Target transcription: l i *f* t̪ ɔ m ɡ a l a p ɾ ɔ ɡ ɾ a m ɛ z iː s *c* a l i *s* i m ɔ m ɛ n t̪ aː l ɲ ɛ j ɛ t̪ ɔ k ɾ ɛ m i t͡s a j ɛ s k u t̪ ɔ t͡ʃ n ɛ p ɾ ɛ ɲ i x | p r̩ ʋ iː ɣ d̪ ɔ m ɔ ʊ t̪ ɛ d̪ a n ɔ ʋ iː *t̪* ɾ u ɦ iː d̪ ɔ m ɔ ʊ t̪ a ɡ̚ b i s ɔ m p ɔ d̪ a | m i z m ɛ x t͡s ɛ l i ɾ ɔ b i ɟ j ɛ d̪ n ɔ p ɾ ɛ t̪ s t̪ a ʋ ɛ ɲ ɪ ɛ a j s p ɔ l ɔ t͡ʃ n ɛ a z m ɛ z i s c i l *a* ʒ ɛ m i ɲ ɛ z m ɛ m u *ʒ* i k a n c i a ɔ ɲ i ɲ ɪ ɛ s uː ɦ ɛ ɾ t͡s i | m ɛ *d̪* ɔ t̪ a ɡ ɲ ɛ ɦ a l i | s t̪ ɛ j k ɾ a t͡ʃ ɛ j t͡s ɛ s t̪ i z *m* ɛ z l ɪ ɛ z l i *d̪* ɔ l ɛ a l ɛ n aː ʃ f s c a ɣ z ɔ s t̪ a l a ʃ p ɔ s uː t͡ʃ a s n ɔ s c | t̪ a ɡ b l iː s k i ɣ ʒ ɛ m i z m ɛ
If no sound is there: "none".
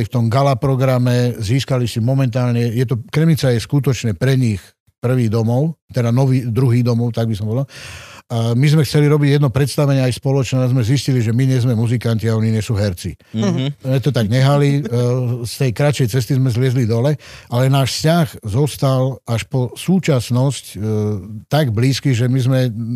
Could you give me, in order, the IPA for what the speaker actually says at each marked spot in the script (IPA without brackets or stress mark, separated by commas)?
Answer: f, k, s, d̪, i, z, t̪, m, d̪